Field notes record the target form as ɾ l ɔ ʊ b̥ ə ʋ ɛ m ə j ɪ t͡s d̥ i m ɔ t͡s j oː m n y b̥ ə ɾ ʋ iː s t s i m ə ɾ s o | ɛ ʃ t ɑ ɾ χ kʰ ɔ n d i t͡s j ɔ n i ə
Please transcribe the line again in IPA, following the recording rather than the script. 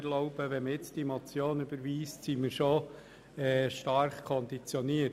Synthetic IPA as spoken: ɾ l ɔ ʊ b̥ ə ʋ ɛ m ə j ɪ t͡s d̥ i m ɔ t͡s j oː n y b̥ ə ɾ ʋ iː s t s i m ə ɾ ʃ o | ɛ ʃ t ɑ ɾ χ kʰ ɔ n d i t͡s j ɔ n i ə